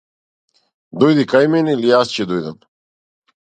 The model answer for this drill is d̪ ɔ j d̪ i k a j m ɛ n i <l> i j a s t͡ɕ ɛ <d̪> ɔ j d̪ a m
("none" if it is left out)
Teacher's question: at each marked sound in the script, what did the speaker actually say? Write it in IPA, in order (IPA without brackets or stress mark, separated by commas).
l, d̪